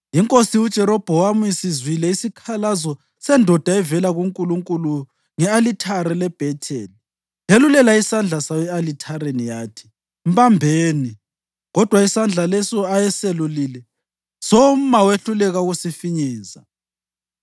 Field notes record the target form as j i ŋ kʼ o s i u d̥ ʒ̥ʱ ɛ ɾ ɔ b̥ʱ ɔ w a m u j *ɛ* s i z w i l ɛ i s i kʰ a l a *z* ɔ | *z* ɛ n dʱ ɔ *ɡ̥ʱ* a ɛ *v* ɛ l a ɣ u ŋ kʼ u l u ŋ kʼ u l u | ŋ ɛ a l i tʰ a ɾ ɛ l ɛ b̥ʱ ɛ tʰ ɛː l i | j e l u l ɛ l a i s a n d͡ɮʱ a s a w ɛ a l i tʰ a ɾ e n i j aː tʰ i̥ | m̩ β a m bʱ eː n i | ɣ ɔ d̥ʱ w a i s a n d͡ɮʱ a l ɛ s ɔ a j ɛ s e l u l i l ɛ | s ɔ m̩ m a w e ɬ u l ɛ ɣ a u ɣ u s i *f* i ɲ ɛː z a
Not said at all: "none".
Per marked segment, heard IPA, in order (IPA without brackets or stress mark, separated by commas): i, z, s, d̥ʱ, v, f